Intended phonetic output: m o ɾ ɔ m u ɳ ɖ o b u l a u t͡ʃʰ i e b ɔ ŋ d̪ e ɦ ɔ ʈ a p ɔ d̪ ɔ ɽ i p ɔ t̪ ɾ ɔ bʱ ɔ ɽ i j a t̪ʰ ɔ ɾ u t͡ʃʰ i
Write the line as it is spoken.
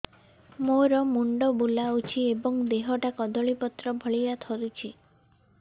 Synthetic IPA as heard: m o ɾ ɔ m u ɳ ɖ ɔ b u l a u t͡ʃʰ i e b ɔ ŋ d̪ e ɦ ɔ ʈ a k ɔ d̪ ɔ ɭ i p ɔ t̪ ɾ ɔ bʱ ɔ ɭ i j a t̪ʰ ɔ ɾ u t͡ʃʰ i

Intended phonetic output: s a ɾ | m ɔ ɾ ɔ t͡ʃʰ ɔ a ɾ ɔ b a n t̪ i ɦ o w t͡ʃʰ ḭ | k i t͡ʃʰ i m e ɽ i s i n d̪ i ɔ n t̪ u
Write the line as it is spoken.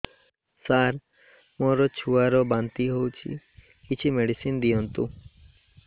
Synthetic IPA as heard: s a ɾ | m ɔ ɾ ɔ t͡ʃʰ u a ɾ ɔ b a n t̪ i ɦ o w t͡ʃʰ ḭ | k i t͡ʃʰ i m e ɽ i s i n d̪ i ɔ n t̪ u

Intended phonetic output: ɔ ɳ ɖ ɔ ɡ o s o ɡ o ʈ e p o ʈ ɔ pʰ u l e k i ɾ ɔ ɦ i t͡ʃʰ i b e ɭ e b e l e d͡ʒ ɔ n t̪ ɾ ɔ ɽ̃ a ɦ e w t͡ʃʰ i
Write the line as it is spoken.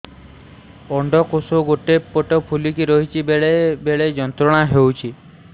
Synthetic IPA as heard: ɔ ɳ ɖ ɔ k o s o ɡ o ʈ e p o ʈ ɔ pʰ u l i k i ɾ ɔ ɦ i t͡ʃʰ i b e ɭ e b e ɭ e d͡ʒ ɔ n t̪ ɾ ɔ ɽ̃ a ɦ e w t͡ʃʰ i

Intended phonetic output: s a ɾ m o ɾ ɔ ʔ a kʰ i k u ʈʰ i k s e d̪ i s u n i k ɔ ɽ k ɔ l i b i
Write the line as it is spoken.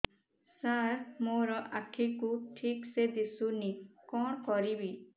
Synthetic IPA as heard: s a ɾ m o ɾ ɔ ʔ a kʰ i k u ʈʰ i k s e d̪ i s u n i k ɔ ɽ k ɔ ɾ i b i

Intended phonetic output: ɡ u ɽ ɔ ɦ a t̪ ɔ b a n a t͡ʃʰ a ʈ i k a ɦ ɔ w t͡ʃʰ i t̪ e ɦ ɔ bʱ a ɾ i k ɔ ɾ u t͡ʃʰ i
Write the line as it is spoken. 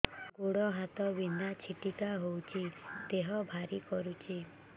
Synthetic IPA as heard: ɡ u ɽ ɔ ɦ a t̪ ɔ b i n a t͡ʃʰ i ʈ i k a ɦ o w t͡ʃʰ i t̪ e ɦ ɔ bʱ a ɾ i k ɔ ɾ u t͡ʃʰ i

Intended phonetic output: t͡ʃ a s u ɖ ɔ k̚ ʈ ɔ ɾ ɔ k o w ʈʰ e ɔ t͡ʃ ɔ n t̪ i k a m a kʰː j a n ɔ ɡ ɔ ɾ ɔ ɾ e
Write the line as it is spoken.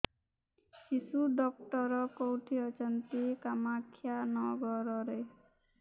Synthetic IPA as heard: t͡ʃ i s u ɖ ɔ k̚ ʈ ɔ ɾ ɔ k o w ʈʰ i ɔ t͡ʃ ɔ n t̪ i k a m a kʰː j a n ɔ ɡ ɔ ɾ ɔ ɾ e

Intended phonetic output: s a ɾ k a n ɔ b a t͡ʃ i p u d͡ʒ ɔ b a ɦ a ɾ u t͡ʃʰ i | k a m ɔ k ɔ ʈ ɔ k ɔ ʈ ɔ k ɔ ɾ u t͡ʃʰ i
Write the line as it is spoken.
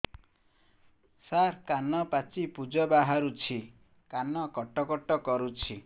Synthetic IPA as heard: s a ɾ k a n ɔ p a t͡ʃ i p u d͡ʒ ɔ b a ɦ a ɾ u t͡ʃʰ i | k a n ɔ k ɔ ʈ ɔ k ɔ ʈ ɔ k ɔ ɾ u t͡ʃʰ i

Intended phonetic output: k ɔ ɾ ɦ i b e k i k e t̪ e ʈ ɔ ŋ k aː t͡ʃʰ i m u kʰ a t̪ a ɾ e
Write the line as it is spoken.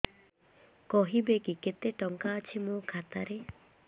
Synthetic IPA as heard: k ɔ ɦ i b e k i k e t̪ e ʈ ɔ ŋ k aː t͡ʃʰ i m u kʰ a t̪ a ɾ e

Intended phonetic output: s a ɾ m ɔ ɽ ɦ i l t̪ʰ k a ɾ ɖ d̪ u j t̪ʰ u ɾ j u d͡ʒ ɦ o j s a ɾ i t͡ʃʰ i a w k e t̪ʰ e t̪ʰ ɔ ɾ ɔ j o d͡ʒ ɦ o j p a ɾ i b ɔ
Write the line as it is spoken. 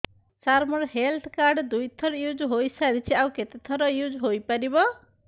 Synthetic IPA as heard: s a ɾ m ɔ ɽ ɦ e l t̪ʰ k a ɾ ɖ d̪ u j t̪ʰ ɔ ɾ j u d͡ʒ ɦ o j s a ɾ i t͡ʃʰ i a w k e t̪ e t̪ʰ ɔ ɾ ɔ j u d͡ʒ ɦ o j p a ɾ i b ɔ

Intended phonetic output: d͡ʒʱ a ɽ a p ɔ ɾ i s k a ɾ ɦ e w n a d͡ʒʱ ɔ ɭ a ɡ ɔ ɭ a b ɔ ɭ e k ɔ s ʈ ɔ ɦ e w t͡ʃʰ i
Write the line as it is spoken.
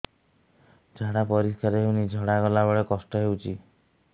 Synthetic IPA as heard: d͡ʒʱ a ɽ a p ɔ ɾ i s k a ɾ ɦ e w n i d͡ʒʱ ɔ ɽ a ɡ ɔ l a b ɔ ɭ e k ɔ s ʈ ɔ ɦ e w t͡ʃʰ i

